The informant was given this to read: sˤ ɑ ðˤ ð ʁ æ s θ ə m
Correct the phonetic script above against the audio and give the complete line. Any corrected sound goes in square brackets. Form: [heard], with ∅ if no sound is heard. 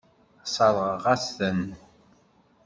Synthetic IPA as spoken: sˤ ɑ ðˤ [ʁ] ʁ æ s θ ə [n]